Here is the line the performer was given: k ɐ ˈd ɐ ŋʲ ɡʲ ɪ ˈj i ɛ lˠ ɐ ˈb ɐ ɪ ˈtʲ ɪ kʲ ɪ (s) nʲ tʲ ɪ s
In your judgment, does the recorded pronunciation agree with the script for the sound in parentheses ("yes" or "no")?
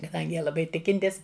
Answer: no